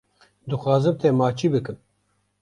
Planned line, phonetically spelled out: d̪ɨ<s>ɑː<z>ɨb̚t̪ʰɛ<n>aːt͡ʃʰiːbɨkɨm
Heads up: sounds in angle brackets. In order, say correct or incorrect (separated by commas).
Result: incorrect, correct, incorrect